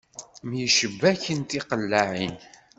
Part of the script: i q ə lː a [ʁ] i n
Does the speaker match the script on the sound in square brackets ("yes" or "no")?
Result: no